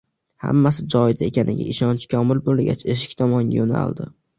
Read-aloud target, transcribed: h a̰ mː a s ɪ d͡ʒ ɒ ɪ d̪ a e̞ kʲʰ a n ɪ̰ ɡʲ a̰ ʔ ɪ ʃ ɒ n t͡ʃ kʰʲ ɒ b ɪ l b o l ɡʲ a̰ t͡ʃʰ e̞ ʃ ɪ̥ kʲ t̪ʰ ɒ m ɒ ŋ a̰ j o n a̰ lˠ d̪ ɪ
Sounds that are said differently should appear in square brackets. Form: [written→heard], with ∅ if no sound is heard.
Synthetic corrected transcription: h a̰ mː a s ɪ d͡ʒ ɒ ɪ d̪ a e̞ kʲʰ a n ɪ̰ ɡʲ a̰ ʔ ɪ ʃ ɒ n t͡ʃ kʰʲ ɒ [b→m] ɪ l b o l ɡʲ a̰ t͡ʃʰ e̞ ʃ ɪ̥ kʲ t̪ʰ ɒ m ɒ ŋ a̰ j o n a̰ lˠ d̪ ɪ